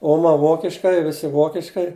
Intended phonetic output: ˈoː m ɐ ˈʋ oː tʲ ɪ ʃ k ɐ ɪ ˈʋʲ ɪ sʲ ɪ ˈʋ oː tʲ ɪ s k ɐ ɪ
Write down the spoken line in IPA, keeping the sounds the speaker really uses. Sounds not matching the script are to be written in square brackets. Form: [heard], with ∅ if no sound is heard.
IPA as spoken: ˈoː m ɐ ˈʋ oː [kʲ] ɪ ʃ k ɐ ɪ ˈʋʲ ɪ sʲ ɪ ˈʋ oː [kʲ] ɪ [ʃ] k ɐ ɪ